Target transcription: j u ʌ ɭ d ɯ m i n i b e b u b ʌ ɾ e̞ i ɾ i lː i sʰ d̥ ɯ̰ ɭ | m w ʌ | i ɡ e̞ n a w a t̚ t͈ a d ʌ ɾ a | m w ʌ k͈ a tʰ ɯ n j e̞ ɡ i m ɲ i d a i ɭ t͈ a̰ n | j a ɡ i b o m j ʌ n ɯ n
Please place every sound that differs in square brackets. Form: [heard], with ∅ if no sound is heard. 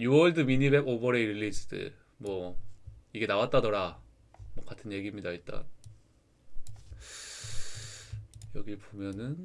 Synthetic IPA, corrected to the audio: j u ʌ ɭ d ɯ m i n i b e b [o] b ʌ ɾ e̞ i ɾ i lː i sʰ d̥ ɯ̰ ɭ | m w ʌ | i ɡ e̞ n a w a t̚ t͈ a d ʌ ɾ a | m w ʌ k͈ a tʰ ɯ n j e̞ ɡ i m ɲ i d a i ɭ t͈ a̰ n | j [ʌ] ɡ i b o m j ʌ n ɯ n

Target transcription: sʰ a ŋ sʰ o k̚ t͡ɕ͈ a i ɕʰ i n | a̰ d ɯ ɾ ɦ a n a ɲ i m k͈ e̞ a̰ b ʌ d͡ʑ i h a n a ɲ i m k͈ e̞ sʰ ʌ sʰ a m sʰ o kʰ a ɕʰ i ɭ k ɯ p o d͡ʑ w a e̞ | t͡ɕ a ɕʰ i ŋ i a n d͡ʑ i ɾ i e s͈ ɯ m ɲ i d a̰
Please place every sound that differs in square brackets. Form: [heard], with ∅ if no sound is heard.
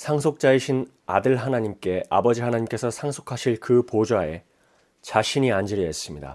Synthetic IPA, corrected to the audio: sʰ a ŋ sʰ o k̚ t͡ɕ͈ a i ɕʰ i n | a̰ d ɯ [ɭ] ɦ a n a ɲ i m k͈ e̞ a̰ b ʌ d͡ʑ i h a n a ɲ i m k͈ e̞ sʰ ʌ sʰ a [ŋ] sʰ o kʰ a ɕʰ i ɭ k ɯ p o d͡ʑ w a e̞ | t͡ɕ a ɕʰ i [ɲ] i a n d͡ʑ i ɾ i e s͈ ɯ m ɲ i d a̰

